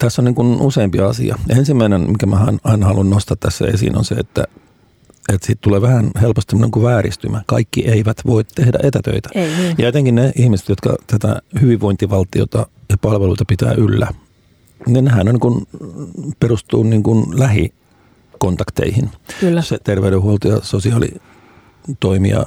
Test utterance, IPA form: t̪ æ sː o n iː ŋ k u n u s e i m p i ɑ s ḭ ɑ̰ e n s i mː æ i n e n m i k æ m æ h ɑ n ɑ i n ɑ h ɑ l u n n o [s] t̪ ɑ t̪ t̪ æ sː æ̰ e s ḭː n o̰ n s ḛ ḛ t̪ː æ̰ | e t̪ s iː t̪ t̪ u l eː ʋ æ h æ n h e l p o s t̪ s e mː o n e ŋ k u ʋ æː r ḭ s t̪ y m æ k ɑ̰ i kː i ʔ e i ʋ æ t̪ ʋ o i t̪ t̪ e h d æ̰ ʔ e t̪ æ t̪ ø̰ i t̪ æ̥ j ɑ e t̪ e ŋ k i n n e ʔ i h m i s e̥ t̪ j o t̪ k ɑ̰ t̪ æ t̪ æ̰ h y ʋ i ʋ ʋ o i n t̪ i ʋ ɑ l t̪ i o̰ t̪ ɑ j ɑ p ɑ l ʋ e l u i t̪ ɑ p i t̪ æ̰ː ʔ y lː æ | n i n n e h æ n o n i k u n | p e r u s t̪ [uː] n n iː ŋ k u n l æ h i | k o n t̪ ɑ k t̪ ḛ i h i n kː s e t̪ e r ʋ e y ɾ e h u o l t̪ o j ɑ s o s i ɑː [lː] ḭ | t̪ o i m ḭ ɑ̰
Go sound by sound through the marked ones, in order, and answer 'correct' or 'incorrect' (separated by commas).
correct, correct, incorrect